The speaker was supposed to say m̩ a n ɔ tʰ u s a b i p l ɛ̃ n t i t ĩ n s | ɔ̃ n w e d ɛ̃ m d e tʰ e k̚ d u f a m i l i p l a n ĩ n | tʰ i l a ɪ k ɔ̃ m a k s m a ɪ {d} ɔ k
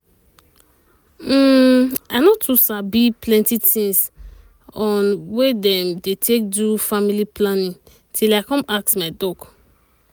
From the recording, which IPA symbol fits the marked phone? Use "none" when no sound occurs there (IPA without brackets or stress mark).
d